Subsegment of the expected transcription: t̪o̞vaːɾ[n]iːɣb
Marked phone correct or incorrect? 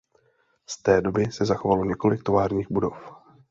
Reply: incorrect